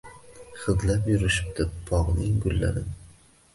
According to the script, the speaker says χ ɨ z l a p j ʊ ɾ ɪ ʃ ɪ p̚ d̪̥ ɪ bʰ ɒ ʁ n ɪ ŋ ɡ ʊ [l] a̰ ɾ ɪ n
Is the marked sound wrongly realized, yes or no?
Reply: yes